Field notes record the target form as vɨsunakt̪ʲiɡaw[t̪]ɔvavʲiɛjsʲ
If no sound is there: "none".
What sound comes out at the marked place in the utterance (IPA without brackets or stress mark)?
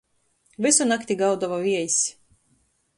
d̪